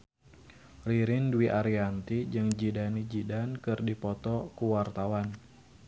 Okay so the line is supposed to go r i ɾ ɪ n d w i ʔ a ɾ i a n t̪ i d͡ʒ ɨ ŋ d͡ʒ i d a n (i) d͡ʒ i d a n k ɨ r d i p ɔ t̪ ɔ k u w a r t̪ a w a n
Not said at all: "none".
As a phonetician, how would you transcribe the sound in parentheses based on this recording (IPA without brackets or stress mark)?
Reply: i